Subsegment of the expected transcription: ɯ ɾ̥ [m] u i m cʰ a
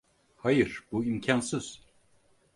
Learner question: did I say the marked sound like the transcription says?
no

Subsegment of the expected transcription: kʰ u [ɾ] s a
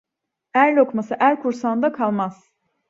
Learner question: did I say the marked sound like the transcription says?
yes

